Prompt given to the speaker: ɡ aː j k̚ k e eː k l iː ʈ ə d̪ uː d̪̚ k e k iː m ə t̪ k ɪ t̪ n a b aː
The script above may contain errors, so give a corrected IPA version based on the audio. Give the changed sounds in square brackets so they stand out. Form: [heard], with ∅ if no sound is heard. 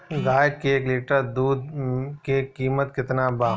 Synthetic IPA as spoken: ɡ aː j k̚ k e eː k l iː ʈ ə d̪ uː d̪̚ k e k iː m ə t̪ k ɪ t̪ n a b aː